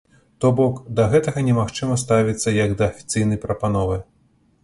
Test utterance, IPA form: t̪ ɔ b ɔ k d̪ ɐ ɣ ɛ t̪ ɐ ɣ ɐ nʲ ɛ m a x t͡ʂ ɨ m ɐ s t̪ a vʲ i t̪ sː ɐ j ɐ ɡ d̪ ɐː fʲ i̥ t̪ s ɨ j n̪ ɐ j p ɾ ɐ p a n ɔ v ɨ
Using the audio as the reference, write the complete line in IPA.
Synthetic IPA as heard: t̪ ɔ b ɔ k d̪ ɐ ɣ ɛ t̪ ɐ ɣ ɐ nʲ ɛ m a x t͡ʂ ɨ m ɐ s t̪ a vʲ i t̪ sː ɐ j ɐ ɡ d̪ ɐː fʲ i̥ t̪ s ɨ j n̪ ɐ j p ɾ ɐ p a n ɔ v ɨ